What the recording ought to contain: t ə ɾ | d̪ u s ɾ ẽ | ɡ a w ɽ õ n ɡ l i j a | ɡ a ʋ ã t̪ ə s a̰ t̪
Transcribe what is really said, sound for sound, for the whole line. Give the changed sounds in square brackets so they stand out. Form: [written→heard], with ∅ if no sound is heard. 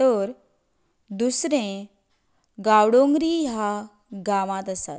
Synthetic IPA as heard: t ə ɾ | d̪ u s ɾ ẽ | ɡ a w ɽ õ [n→ŋ] ɡ [l→ɾ] i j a | ɡ a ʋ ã t̪ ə s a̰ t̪